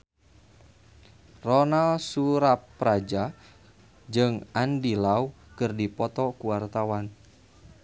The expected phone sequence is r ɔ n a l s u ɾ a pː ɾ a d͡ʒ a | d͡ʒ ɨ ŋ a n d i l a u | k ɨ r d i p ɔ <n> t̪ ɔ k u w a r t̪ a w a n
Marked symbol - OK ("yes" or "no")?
no